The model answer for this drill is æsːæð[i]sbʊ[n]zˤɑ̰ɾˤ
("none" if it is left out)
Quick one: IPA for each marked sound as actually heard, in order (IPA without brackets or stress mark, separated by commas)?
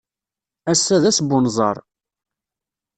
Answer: æ, n